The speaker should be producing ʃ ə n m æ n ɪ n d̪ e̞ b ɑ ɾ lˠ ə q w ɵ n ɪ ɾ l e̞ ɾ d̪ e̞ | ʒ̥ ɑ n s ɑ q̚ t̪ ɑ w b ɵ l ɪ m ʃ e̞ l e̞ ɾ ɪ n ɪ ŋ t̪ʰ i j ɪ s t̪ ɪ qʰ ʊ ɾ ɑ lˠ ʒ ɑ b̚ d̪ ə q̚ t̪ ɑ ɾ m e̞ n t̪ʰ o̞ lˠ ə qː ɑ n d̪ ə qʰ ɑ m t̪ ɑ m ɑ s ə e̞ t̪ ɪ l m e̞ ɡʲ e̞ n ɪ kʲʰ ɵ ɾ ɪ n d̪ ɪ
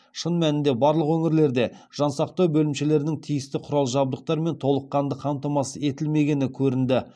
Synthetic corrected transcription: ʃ ə n m æ n ɪ n d̪ e̞ b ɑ ɾ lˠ ə q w ɵ ŋ ɪ ɾ l e̞ ɾ d̪ e̞ | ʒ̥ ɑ n s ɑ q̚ t̪ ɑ w b ɵ l ɪ m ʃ e̞ l e̞ ɾ ɪ n ɪ ŋ t̪ʰ i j ɪ s t̪ ɪ qʰ ʊ ɾ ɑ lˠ ʒ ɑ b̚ d̪ ə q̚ t̪ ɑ ɾ m e̞ n t̪ʰ o̞ lˠ ə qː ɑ n d̪ ə qʰ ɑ m t̪ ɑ m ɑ s ə e̞ t̪ ɪ l m e̞ ɡʲ e̞ n ɪ kʲʰ ɵ ɾ ɪ n d̪ ɪ